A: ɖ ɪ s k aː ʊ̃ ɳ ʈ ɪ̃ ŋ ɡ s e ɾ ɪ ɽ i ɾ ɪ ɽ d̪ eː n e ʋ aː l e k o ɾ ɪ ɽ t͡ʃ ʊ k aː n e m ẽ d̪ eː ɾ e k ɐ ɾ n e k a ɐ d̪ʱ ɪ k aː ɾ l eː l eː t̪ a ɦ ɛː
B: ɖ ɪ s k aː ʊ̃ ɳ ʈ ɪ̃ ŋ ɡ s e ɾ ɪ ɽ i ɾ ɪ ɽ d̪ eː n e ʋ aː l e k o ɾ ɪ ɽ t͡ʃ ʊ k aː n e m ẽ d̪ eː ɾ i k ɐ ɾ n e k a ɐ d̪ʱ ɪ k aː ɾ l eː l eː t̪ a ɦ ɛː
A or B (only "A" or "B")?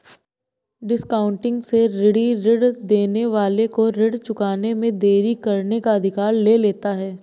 B